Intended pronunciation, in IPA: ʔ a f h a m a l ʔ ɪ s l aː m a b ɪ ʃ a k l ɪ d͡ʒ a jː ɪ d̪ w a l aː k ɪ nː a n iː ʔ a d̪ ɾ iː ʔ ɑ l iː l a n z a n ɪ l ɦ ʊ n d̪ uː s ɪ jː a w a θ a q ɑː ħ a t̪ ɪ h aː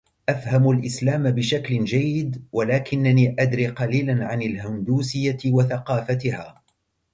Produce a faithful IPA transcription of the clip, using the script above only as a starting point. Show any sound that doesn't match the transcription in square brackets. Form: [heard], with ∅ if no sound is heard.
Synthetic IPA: ʔ a f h a m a l ʔ ɪ s l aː m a b ɪ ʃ a k l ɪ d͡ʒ a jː ɪ d̪ w a l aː k ɪ nː a n iː ʔ a d̪ ɾ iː [q] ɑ l iː l a n [ʕ] a n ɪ l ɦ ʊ n d̪ uː s ɪ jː a w a θ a q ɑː [f] a t̪ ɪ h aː